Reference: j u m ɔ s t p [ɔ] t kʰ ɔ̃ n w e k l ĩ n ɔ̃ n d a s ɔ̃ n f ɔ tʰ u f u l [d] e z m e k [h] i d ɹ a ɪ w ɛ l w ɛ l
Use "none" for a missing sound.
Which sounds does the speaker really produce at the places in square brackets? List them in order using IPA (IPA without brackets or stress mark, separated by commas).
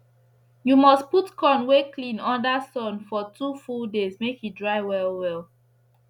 u, d, h